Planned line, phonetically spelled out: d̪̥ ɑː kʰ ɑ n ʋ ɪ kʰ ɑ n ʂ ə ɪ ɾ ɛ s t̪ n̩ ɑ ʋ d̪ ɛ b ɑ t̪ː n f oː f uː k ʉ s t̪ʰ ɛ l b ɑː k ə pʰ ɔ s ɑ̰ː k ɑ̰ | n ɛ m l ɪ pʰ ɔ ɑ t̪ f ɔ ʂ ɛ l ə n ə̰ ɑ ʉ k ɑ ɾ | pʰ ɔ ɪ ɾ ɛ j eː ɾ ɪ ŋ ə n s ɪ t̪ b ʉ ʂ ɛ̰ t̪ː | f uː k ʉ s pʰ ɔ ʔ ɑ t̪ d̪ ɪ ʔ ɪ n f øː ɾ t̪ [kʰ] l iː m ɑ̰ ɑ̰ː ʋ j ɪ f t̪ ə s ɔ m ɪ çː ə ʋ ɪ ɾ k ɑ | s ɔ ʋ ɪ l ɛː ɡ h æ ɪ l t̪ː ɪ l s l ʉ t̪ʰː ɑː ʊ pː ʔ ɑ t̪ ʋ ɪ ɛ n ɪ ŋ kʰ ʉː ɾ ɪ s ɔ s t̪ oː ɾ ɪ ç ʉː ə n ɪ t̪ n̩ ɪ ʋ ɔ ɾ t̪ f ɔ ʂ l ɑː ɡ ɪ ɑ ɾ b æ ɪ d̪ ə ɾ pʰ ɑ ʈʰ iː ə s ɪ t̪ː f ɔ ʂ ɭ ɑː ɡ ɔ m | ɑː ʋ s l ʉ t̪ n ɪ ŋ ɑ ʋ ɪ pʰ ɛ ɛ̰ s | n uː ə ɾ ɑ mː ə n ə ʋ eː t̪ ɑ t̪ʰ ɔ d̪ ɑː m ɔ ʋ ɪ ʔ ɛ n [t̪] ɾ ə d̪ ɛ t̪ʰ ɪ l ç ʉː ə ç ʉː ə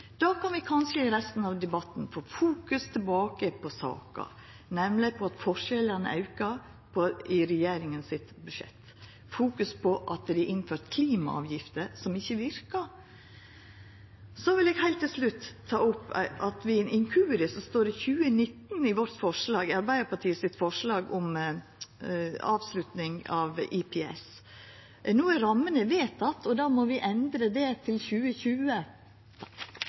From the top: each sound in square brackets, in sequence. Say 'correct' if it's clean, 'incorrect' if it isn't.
correct, incorrect

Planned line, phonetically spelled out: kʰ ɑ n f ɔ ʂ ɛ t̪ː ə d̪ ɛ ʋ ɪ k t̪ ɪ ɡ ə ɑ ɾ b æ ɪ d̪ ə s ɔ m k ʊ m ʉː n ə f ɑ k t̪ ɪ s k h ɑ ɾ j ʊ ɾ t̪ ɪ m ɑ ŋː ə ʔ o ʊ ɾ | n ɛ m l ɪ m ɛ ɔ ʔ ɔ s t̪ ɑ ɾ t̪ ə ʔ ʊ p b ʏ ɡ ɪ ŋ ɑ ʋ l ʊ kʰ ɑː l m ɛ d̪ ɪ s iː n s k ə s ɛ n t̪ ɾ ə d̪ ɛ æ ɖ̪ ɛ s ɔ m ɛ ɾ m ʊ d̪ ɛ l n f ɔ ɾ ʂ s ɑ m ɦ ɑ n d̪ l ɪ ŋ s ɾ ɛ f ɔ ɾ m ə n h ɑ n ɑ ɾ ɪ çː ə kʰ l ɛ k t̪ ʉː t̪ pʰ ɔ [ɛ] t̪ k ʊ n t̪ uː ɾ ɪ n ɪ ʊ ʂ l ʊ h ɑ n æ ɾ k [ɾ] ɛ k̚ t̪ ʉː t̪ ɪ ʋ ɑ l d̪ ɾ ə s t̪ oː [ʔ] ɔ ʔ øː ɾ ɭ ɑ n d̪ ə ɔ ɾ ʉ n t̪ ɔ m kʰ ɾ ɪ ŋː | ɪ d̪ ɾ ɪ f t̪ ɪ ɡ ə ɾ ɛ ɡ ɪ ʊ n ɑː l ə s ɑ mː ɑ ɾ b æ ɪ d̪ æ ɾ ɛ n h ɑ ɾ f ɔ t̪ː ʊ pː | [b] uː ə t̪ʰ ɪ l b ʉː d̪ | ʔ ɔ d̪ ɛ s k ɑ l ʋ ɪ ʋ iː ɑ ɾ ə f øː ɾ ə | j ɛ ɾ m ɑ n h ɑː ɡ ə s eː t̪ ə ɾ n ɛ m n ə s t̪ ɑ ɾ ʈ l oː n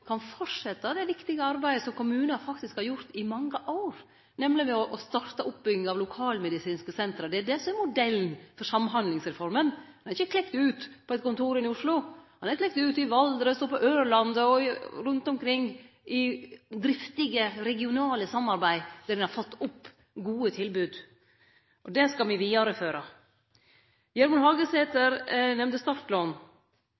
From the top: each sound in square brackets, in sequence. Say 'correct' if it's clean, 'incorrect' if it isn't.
correct, incorrect, incorrect, incorrect

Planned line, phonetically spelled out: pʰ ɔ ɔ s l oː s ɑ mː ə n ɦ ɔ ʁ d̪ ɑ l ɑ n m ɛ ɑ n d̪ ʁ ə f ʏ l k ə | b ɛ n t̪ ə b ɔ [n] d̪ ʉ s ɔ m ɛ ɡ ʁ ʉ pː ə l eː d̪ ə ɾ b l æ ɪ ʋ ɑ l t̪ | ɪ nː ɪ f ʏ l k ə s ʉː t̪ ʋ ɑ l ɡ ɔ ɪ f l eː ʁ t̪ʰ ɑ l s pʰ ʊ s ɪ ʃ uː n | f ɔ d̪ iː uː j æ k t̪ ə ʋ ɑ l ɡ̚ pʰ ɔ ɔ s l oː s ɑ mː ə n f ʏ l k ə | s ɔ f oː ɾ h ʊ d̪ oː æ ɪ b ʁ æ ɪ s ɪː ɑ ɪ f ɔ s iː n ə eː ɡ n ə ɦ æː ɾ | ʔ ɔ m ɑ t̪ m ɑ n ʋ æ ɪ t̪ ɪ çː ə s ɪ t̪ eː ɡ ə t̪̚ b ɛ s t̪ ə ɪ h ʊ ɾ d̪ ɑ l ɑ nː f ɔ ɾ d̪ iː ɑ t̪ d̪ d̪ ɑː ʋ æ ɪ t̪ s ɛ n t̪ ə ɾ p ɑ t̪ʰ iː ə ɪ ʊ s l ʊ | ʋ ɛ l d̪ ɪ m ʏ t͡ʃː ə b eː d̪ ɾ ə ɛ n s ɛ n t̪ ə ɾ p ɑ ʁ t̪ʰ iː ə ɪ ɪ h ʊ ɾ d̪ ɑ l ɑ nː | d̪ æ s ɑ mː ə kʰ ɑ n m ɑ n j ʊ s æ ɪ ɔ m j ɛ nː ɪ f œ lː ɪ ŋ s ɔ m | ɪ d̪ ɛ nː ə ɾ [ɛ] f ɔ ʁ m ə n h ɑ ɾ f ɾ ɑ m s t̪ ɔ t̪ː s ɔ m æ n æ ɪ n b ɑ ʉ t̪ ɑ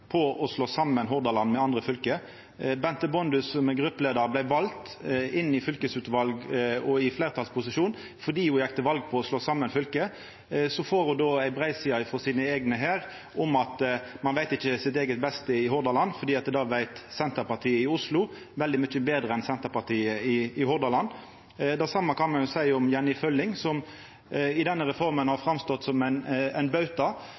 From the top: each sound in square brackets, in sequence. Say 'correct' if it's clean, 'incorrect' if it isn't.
correct, correct

